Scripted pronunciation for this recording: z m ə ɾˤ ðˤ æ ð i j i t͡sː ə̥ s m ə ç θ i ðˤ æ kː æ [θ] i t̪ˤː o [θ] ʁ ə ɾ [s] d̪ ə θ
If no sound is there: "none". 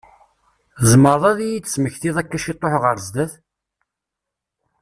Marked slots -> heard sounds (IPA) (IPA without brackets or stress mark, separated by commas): ʃ, ħ, z